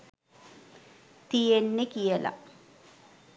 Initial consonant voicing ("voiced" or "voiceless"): voiceless